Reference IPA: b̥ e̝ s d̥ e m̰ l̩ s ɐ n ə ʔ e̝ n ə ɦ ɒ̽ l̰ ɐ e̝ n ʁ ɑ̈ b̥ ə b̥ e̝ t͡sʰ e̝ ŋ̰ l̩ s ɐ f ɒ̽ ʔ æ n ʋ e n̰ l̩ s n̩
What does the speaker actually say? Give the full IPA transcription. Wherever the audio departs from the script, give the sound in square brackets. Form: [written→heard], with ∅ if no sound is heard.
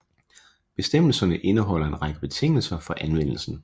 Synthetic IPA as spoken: b̥ e̝ s d̥ e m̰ l̩ s ɐ n ə ʔ e̝ n ə ɦ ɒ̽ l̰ ɐ e̝ n ʁ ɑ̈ [b̥→ɡ̥] ə b̥ e̝ t͡sʰ e̝ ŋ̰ l̩ s ɐ f ɒ̽ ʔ æ n ʋ e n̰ l̩ s n̩